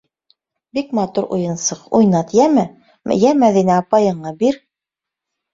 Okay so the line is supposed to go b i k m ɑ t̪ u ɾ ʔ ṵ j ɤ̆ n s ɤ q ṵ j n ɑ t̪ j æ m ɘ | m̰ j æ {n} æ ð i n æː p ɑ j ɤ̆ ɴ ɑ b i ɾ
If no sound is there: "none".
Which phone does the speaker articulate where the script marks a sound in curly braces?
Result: m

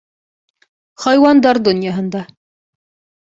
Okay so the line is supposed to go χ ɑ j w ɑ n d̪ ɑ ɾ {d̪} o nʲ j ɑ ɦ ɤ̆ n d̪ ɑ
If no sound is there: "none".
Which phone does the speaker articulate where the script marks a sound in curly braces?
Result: d̪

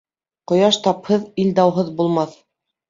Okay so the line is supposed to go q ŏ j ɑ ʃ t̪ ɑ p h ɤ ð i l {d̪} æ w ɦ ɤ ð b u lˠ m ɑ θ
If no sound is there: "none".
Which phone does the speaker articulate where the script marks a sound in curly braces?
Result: d̪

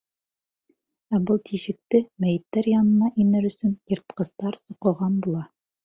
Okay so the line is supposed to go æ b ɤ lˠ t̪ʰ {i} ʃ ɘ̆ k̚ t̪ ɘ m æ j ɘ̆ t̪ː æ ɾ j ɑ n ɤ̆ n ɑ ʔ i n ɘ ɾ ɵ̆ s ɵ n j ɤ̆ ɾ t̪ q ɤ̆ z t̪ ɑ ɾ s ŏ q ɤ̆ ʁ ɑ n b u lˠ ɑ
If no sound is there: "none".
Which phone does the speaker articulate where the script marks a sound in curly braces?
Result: i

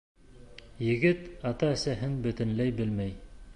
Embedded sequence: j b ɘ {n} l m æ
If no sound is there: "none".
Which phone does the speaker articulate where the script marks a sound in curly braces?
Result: none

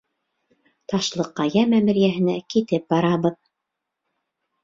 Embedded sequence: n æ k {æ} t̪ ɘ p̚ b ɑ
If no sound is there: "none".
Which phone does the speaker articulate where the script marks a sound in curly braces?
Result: i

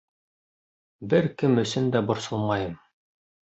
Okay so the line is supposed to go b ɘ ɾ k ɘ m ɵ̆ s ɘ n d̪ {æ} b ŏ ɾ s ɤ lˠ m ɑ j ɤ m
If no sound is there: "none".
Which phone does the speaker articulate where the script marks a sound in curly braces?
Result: æ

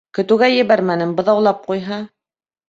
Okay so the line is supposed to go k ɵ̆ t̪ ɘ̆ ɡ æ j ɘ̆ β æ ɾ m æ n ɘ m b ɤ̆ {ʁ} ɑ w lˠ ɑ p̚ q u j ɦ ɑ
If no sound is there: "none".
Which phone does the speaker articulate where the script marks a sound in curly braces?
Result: ð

